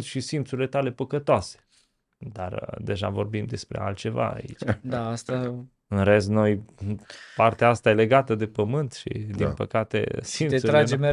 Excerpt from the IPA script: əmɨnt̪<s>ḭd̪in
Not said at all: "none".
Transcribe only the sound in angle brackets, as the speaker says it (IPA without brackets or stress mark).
ʃ